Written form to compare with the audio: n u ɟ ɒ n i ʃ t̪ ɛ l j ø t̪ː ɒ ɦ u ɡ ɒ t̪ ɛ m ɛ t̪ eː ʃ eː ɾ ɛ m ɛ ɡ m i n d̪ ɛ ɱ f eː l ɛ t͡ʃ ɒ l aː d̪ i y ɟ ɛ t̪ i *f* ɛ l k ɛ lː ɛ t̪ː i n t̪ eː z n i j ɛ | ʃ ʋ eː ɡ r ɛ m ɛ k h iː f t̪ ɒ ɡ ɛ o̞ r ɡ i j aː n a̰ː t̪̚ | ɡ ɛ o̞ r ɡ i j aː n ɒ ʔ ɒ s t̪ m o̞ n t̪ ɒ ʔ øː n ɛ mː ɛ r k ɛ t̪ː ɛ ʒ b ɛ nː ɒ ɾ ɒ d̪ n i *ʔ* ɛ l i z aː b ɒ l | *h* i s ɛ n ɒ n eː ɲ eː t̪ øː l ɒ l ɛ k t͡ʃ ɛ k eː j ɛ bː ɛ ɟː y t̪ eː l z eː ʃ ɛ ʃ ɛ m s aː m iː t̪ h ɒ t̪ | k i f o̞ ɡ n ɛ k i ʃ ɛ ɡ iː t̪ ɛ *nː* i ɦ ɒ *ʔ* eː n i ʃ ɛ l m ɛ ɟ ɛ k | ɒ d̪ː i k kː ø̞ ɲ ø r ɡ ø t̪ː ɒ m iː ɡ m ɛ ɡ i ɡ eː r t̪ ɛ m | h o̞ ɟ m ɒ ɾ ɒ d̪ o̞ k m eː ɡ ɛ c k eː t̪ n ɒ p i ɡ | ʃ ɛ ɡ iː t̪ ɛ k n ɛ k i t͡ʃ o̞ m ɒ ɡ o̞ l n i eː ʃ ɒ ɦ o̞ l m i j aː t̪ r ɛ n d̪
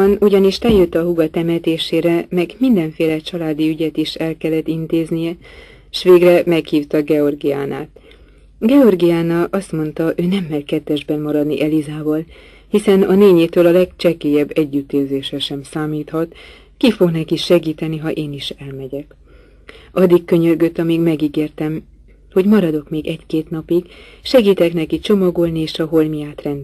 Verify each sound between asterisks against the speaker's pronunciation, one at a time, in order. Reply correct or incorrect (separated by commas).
incorrect, correct, correct, incorrect, correct